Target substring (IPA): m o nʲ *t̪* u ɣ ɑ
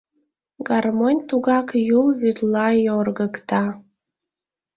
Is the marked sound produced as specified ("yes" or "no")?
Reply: yes